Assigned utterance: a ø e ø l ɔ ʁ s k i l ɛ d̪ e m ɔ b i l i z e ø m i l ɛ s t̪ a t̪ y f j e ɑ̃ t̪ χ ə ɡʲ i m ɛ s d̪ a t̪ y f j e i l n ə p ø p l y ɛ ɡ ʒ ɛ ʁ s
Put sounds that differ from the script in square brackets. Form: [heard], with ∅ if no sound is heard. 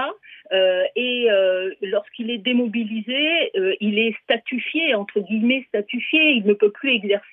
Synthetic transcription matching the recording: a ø e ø l ɔ ʁ s k i l ɛ d̪ e m ɔ b i l i z e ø [∅] i l ɛ s t̪ a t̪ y f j e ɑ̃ t̪ χ ə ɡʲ i m ɛ s [t̪] a t̪ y f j e i l n ə p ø p l y ɛ ɡ [z] ɛ ʁ s